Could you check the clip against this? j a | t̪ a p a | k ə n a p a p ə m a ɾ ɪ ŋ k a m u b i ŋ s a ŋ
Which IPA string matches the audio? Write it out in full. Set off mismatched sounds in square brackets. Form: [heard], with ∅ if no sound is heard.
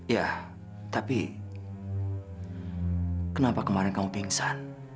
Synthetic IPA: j a | t̪ a p [i] | k ə n a p a [k] ə m a ɾ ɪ [n] k a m u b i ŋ s a [n]